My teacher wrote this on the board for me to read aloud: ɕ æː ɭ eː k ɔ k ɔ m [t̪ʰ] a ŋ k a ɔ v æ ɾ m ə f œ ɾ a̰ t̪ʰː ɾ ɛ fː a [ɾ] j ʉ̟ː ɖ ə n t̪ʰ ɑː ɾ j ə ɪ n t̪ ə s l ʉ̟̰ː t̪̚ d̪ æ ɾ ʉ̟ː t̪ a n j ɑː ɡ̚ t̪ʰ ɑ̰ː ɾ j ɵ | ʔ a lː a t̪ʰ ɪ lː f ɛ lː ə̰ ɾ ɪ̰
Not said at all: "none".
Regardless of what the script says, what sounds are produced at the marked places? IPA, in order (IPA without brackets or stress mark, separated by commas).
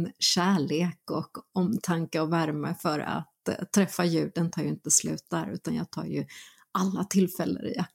t̪ʰ, none